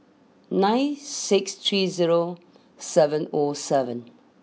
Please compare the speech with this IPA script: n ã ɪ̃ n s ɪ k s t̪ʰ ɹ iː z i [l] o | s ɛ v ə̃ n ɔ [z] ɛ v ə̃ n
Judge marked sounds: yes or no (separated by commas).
no, no